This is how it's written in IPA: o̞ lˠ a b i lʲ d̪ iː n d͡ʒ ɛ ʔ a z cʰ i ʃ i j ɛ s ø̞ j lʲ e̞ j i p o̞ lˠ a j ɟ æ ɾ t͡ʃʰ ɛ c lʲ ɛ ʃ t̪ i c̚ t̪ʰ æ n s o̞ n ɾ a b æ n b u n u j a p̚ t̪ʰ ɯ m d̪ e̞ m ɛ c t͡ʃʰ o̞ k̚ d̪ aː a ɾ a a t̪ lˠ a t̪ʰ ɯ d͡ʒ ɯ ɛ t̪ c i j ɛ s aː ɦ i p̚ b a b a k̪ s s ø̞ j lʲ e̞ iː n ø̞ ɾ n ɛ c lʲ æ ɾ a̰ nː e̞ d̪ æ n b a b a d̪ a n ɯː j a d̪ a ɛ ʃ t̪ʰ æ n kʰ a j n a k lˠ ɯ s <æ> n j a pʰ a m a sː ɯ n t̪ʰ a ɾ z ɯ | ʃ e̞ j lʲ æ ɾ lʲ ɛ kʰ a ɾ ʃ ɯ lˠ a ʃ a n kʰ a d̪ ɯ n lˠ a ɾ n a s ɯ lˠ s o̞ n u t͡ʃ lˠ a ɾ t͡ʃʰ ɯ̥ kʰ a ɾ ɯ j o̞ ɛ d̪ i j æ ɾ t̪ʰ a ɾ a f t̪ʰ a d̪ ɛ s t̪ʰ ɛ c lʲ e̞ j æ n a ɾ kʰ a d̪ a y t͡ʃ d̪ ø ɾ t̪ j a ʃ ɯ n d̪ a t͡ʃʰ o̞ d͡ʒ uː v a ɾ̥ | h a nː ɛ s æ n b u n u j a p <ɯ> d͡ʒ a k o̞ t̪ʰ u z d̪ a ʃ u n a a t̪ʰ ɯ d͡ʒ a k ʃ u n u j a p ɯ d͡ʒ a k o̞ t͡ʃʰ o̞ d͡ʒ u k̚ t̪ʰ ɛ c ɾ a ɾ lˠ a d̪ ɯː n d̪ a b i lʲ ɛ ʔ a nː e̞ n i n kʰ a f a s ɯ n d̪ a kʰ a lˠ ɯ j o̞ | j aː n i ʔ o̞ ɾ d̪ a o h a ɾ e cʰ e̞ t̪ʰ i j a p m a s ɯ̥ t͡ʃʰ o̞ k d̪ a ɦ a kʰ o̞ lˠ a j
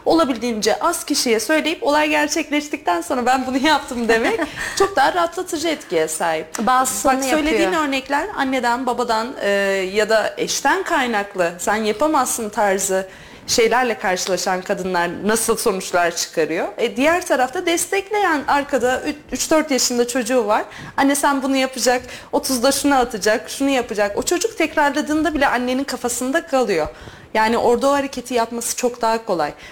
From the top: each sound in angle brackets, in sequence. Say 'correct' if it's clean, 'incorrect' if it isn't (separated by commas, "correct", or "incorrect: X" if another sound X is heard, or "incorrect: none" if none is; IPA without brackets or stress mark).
correct, correct